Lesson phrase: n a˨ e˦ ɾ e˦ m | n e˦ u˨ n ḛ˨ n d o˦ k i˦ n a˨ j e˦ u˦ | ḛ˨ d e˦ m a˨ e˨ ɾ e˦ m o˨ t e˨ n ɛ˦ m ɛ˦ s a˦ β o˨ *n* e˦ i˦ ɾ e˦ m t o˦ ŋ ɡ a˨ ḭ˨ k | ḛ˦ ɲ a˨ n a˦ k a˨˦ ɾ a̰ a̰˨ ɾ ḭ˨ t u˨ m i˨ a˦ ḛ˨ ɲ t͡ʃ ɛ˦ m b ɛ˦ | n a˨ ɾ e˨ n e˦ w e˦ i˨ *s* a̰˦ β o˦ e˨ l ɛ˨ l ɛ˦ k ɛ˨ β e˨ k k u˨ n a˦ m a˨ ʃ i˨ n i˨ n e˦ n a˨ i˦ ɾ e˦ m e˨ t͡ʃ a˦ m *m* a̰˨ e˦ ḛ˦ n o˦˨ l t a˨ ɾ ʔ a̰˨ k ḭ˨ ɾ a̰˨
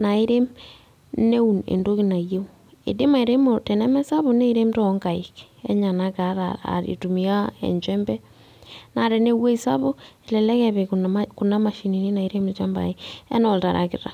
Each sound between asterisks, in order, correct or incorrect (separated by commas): correct, correct, incorrect